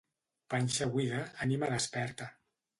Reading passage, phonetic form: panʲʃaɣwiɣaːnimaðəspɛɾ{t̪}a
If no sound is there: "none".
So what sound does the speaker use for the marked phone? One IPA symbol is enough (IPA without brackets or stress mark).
t̪